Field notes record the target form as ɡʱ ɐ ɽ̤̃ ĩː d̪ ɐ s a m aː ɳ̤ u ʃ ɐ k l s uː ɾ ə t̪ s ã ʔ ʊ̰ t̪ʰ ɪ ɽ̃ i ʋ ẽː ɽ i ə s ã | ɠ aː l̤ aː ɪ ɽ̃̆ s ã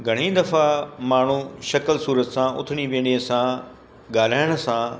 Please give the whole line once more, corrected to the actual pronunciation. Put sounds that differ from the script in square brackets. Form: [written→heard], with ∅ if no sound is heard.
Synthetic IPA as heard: ɡʱ ɐ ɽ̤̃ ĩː d̪ ɐ [s→f] a m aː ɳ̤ u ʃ ɐ k l s uː ɾ ə t̪ s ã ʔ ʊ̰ t̪ʰ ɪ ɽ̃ i ʋ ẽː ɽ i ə s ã | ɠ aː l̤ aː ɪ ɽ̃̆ s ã